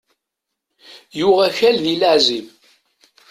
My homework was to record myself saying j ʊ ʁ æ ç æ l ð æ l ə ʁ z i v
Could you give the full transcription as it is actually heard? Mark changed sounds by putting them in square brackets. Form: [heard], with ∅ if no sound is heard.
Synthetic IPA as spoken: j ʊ ʁ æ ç æ l ð [i] l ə [ʕ] z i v